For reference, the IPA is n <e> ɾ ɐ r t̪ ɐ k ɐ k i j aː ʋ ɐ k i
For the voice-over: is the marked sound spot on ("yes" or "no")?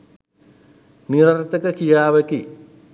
no